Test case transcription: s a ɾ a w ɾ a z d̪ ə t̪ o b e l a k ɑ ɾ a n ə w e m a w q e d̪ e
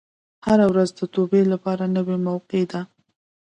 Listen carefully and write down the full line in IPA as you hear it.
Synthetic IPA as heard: h a ɾ a w ɾ a z d̪ ə t̪ o b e l a p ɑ ɾ a n ə w e m a w q e d̪ a